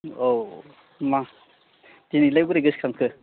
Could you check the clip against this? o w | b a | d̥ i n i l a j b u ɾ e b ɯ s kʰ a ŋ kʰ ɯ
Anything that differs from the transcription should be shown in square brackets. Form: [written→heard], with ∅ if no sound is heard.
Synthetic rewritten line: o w | [b→m] a | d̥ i n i l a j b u ɾ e [b→ɡ] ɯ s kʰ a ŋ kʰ ɯ